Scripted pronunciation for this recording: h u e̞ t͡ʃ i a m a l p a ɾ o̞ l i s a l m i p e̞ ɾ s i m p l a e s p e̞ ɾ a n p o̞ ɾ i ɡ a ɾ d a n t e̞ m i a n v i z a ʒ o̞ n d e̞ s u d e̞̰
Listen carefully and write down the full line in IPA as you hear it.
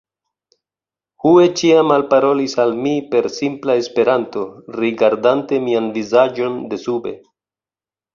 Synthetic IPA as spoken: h u e̞ t͡ʃ i a m a l p a ɾ o̞ l i s a l m i p e̞ ɾ s i m p l a e s p e̞ ɾ a n t o̞ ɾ i ɡ a ɾ d a n t e̞ m i a n v i z a d͡ʒ o̞ n d e̞ s u b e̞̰

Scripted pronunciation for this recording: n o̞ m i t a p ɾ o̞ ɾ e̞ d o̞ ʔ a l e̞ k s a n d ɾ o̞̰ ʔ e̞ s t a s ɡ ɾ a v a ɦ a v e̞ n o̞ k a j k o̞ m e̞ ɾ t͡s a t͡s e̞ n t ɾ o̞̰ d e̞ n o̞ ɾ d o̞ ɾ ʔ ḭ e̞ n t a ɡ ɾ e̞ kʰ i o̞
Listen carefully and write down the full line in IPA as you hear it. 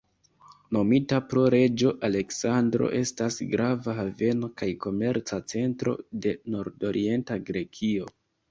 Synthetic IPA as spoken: n o̞ m i t a p ɾ o̞ ɾ e̞ d͡ʒ o̞ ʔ a l e̞ k s a n d ɾ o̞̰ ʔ e̞ s t a s ɡ ɾ a v a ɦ a v e̞ n o̞ k a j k o̞ m e̞ ɾ t͡s a t͡s e̞ n t ɾ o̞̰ d e̞ n o̞ ɾ d o̞ ɾ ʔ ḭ e̞ n t a ɡ ɾ e̞ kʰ i o̞

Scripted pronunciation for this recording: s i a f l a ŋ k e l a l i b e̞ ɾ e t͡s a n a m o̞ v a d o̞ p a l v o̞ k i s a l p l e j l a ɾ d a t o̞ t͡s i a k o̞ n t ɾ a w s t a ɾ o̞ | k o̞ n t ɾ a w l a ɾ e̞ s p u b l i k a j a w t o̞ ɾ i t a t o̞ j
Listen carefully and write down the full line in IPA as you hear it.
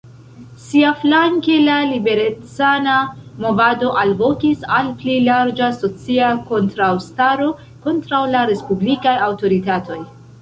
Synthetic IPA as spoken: s i a f l a ŋ k e l a l i b e̞ ɾ e t͡s a n a m o̞ v a d o̞ ʔ a l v o̞ k i s a l p l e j l a ɾ d͡ʒ a s o̞ t͡s i a k o̞ n t ɾ a w s t a ɾ o̞ | k o̞ n t ɾ a w l a ɾ e̞ s p u b l i k a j a w t o̞ ɾ i t a t o̞ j

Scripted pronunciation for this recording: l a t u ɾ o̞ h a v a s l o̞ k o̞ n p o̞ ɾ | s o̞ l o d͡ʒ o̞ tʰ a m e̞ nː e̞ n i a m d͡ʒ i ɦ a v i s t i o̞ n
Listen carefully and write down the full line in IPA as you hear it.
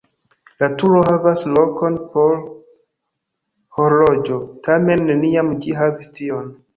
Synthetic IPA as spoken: l a t u ɾ o̞ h a v a s l o̞ k o̞ n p o̞ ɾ | h o̞ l o d͡ʒ o̞ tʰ a m e̞ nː e̞ n i a m d͡ʒ i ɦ a v i s t i o̞ n

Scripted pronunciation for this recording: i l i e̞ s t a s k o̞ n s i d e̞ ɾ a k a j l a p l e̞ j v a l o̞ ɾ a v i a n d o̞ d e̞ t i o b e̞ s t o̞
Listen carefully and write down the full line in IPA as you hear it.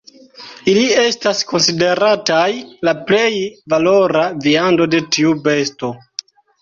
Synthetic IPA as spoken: i l i e̞ s t a s k o̞ n s i d e̞ ɾ a t a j l a p l e̞ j v a l o̞ ɾ a v i a n d o̞ d e̞ t i u b e̞ s t o̞

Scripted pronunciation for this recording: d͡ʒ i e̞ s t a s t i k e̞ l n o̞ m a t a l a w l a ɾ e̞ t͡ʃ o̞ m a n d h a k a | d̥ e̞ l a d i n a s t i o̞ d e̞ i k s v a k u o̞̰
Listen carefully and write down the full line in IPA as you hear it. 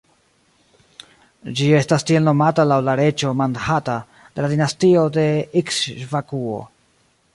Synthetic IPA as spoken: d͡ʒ i e̞ s t a s t i e̞ l n o̞ m a t a l a w l a ɾ e̞ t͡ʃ o̞ m a n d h a t a | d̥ e̞ l a d i n a s t i o̞ d e̞ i k s v a k u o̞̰

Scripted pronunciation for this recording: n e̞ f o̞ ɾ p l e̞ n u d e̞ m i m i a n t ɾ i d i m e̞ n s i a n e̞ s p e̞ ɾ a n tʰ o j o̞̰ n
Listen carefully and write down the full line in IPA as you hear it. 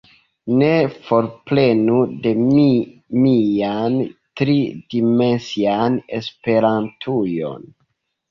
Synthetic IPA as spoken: n e̞ f o̞ ɾ p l e̞ n u d e̞ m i m i a n t ɾ i d i m e̞ n s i a n e̞ s p e̞ ɾ a n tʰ u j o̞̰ n

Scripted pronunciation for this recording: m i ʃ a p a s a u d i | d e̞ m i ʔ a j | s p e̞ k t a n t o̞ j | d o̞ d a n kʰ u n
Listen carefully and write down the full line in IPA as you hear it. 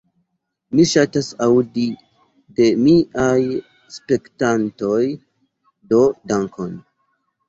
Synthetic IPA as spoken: m i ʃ a t a s a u d i | d e̞ m i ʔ a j | s p e̞ k t a n t o̞ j | d o̞ d a ŋ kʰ o n

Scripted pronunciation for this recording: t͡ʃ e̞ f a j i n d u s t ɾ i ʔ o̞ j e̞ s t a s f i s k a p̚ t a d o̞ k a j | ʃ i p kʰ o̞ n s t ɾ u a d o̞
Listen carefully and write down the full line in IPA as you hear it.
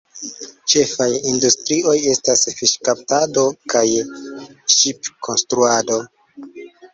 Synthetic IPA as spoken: t͡ʃ e̞ f a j i n d u s t ɾ i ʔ o̞ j e̞ s t a s f i ʃ k a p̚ t a d o̞ k a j | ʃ i p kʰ o̞ n s t ɾ u a d o̞

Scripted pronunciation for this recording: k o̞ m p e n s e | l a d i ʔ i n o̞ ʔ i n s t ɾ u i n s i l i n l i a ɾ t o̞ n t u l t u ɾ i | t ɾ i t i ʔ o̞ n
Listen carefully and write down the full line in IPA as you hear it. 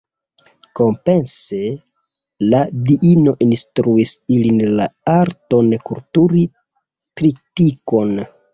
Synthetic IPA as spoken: k o̞ m p e n s e | l a d i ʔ i n o̞ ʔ i n s t ɾ u i s i l i n l a a ɾ t o̞ n k u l t u ɾ i | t ɾ i t i k o̞ n

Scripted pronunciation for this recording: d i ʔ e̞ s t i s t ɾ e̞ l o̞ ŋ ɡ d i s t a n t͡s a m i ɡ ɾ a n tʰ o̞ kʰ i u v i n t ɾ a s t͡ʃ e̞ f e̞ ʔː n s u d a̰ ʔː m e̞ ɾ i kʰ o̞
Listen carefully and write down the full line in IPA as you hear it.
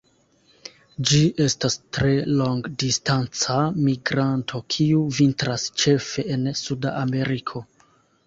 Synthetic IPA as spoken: d͡ʒ i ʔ e̞ s t a s t ɾ e̞ l o̞ ŋ ɡ d i s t a n t͡s a m i ɡ ɾ a n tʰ o̞ kʰ i u v i n t ɾ a s t͡ʃ e̞ f e̞ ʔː n s u d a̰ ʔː m e̞ ɾ i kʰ o̞

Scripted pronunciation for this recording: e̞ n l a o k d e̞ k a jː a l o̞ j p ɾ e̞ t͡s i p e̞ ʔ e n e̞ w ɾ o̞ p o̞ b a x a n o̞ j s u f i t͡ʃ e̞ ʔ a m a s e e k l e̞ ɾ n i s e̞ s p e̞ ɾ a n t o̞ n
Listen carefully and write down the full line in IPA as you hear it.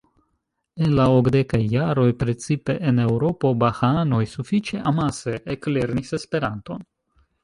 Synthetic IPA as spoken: e̞ n l a o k d e̞ k a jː a ɾ o̞ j p ɾ e̞ t͡s i p e̞ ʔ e n e̞ w ɾ o̞ p o̞ b a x a n o̞ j s u f i t͡ʃ e̞ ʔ a m a s e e k l e̞ ɾ n i s e̞ s p e̞ ɾ a n t o̞ n

